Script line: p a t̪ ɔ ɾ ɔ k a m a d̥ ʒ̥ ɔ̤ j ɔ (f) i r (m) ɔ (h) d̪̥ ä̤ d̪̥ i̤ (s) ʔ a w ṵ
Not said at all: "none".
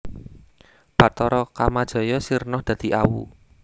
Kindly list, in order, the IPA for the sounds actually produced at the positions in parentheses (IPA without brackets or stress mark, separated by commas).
s, n, h, none